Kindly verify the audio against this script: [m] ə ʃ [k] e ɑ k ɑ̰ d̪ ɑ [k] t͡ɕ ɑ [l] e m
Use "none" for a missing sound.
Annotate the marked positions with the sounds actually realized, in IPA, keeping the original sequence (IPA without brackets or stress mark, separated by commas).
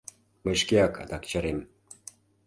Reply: m, k, k, ɾ